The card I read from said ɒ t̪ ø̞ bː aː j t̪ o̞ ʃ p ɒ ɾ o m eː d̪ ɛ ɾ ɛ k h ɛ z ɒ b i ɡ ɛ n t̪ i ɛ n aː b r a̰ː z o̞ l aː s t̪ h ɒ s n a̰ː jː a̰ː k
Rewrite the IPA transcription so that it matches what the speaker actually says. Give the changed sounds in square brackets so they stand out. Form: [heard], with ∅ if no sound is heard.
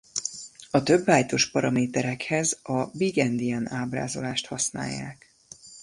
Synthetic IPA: ɒ t̪ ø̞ bː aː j t̪ o̞ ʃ p ɒ ɾ [ɒ] m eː [t̪] ɛ ɾ ɛ k h ɛ z ɒ b i ɡ ɛ n [d̪] i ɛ n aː b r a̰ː z o̞ l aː [ʃ] t̪ h ɒ s n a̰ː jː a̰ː k